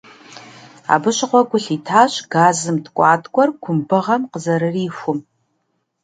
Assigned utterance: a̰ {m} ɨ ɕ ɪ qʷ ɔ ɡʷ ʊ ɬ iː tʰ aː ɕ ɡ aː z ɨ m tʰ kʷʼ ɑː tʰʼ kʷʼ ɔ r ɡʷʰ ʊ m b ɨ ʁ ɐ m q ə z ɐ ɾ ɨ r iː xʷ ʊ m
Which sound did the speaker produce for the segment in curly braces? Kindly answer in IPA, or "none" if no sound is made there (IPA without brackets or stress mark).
b